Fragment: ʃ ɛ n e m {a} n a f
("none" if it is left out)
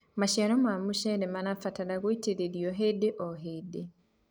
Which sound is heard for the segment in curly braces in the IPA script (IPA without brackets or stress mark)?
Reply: a